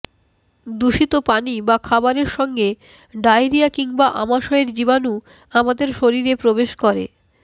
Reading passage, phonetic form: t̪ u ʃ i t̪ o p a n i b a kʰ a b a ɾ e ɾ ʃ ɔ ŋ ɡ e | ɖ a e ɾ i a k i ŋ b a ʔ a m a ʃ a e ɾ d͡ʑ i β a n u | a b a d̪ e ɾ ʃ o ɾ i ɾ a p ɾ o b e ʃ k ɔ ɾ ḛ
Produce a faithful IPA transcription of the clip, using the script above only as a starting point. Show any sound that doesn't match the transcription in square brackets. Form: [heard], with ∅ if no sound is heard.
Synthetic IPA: [d̪] u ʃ i t̪ o p a n i b a kʰ a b a ɾ e ɾ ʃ ɔ ŋ ɡ e | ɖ a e ɾ i a k i ŋ b a ʔ a m a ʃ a e ɾ d͡ʑ i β a n u | a [m] a d̪ e ɾ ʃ o ɾ i ɾ [e] p ɾ o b e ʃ k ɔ ɾ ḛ